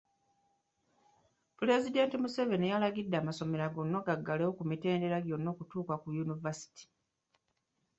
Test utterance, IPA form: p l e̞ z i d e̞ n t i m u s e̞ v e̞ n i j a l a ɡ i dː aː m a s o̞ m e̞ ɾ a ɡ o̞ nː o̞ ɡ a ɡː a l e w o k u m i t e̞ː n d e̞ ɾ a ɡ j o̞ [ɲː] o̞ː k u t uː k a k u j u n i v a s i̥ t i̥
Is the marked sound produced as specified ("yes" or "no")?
no